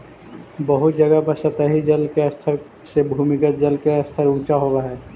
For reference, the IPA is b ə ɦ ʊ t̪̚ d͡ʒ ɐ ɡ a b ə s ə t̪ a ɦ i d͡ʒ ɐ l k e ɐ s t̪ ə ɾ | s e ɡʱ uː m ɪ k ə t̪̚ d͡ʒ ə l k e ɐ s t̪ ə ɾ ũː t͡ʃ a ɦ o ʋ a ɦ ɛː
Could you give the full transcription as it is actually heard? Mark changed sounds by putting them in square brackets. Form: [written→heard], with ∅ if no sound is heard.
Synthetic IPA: b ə ɦ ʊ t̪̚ d͡ʒ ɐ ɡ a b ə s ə t̪ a ɦ i d͡ʒ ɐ l k e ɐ s [t̪→t̪ʰ] ə ɾ | s e [ɡʱ→bʱ] uː m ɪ k ə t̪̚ d͡ʒ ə l k e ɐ s [t̪→t̪ʰ] ə ɾ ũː t͡ʃ a ɦ o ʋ a ɦ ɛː